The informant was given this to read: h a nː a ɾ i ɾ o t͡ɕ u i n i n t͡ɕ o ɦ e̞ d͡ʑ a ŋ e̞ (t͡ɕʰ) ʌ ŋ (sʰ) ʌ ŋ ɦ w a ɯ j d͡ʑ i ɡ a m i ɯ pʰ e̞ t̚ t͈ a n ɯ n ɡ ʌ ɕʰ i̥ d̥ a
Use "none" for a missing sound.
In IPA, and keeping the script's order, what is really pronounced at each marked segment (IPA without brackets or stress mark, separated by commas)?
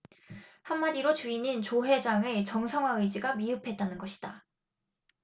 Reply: t͡ɕ, sʰ